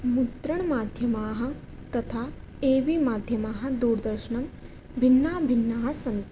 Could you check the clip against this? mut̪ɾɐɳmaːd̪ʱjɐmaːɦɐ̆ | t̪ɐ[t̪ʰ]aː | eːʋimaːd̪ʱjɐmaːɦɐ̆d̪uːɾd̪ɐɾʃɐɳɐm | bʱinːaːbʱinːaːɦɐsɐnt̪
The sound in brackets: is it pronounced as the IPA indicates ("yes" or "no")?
yes